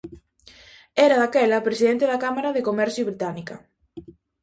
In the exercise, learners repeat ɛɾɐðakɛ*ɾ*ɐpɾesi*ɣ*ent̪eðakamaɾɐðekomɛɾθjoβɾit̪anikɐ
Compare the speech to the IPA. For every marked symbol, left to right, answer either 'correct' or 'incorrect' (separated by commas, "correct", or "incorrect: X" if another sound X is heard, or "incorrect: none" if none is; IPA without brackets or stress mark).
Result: incorrect: l, incorrect: ð